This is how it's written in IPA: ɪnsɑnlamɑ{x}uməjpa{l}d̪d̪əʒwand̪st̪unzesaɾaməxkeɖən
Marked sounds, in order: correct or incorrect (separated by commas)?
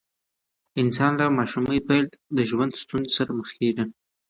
incorrect, correct